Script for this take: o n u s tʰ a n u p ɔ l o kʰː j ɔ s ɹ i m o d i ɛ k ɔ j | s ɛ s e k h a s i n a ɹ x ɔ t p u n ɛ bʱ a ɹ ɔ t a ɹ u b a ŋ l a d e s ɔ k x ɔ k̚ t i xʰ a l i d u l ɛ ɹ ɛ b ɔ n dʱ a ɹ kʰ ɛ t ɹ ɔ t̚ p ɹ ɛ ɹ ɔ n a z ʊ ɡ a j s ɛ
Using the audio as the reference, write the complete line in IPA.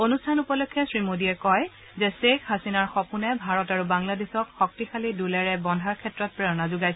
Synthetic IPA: o n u s tʰ a n u p ɔ l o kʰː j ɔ s ɹ i m o d i ɛ k ɔ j | z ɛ s e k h a s i n a ɹ x ɔ p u n ɛ bʱ a ɹ ɔ t a ɹ u b a ŋ l a d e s ɔ k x ɔ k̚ t i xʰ a l i d u l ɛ ɹ ɛ b ɔ n dʱ a ɹ kʰ ɛ t ɹ ɔ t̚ p ɹ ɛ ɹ ɔ n a z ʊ ɡ a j s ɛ

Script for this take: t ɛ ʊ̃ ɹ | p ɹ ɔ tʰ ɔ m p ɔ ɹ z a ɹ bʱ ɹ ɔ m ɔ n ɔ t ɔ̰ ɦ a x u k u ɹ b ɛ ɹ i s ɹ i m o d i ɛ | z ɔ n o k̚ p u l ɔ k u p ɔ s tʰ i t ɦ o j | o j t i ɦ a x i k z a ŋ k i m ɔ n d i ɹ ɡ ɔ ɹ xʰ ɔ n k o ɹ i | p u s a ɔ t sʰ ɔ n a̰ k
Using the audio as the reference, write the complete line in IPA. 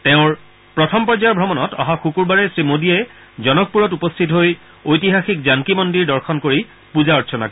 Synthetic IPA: t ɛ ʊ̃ ɹ | p ɹ ɔ tʰ ɔ m p ɔ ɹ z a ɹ bʱ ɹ ɔ m ɔ n ɔ t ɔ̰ ɦ a x u k u ɹ b a ɹ ɛ s ɹ i m o d i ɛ | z ɔ n ɔ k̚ p u ɹ ɔ t u p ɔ s tʰ i t ɦ o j | o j t i ɦ a x i k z a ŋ k i m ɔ n d i ɹ d ɔ ɹ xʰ ɔ n k o ɹ i | p u z a ɔ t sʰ ɔ n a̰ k

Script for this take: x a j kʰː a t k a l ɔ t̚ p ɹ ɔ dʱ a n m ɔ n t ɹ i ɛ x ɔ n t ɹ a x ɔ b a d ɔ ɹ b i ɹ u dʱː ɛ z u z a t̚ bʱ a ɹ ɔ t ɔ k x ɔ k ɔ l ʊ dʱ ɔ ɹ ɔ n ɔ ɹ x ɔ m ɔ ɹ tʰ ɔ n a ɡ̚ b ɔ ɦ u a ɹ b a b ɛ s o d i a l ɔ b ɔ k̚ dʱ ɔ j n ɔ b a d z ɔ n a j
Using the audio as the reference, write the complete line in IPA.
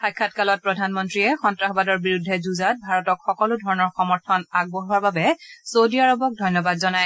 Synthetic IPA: x a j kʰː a t k a l ɔ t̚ p ɹ ɔ dʱ a n m ɔ n t ɹ i ɛ x ɔ n t ɹ a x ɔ b a d ɔ ɹ b i ɹ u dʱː ɛ z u z a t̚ bʱ a ɹ ɔ t ɔ k x ɔ k ɔ l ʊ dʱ ɔ ɹ ɔ n ɔ ɹ x ɔ m ɔ ɹ tʰ ɔ n a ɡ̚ b ɔ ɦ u a ɹ b a b ɛ s o d i a ɹ ɔ b ɔ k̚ dʱ ɔ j n ɔ b a d z ɔ n a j

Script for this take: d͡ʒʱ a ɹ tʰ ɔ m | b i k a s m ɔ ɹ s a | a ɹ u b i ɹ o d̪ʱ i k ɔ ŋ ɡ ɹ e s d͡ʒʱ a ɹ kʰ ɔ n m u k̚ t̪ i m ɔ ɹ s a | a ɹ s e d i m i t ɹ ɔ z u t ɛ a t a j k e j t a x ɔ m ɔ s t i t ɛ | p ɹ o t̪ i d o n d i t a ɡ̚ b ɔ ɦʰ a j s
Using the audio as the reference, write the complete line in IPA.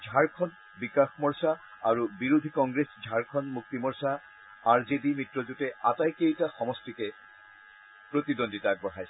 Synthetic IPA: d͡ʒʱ a ɹ kʰ ɔ n | b i k a x m ɔ ɹ s a | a ɹ u b i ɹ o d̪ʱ i k ɔ ŋ ɡ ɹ e s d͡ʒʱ a ɹ kʰ ɔ n m u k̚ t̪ i m ɔ ɹ s a | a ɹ z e d i m i t ɹ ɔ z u t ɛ a t a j k e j t a x ɔ m ɔ s t i k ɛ | p ɹ o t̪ i d o n d i t a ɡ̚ b ɔ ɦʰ a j s

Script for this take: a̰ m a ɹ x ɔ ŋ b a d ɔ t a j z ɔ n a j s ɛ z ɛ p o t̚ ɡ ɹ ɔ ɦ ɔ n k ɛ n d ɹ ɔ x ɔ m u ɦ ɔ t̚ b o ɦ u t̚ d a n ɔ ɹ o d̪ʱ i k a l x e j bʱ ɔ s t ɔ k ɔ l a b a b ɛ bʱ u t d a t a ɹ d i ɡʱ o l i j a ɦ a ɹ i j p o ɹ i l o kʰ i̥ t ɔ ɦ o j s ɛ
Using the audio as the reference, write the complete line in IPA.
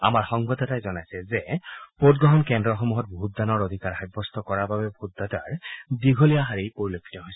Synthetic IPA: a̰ m a ɹ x ɔ ŋ b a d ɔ t a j z ɔ n a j s ɛ z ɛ p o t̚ ɡ ɹ ɔ ɦ ɔ n k ɛ n d ɹ ɔ x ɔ m u ɦ ɔ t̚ b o ɦ u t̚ d a n ɔ ɹ o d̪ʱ i k a ɹ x a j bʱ ɔ s t ɔ k ɔ ɹ a b a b ɛ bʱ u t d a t a ɹ d i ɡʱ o l i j a ɦ a ɹ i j p o ɹ i l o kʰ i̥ t ɔ ɦ o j s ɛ

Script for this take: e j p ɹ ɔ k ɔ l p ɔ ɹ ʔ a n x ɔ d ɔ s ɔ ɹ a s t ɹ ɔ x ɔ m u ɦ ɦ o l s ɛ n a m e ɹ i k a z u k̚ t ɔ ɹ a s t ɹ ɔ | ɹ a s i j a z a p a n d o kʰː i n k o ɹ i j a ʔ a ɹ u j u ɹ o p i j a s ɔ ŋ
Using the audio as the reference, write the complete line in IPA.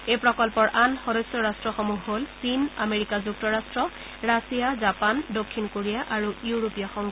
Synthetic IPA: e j p ɹ ɔ k ɔ l p ɔ ɹ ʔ a n x ɔ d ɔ s ɔ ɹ a s t ɹ ɔ x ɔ m u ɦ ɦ o l s i n a m e ɹ i k a z u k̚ t ɔ ɹ a s t ɹ ɔ | ɹ a s i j a z a p a n d o kʰː i n k o ɹ i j a ʔ a ɹ u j u ɹ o p i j a x ɔ ŋ

